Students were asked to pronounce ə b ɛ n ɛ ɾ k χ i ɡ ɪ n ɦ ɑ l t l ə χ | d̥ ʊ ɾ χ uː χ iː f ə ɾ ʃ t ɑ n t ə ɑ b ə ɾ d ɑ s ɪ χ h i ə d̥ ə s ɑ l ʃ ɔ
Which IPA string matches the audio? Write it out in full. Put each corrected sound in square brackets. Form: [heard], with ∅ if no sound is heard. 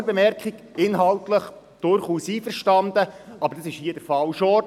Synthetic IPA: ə b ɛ [m] ɛ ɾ k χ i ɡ ɪ n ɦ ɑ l t l ə χ | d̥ ʊ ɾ χ uː [s] iː f ə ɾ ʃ t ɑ n [d] ə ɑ b ə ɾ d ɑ s ɪ [ʃ] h i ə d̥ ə [f] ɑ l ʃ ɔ